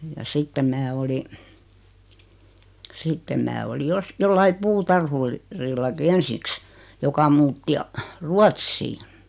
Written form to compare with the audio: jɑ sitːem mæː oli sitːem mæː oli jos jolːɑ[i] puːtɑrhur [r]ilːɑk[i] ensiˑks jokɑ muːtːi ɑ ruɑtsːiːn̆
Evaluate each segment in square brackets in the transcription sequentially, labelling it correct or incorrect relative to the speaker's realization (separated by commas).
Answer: correct, correct, correct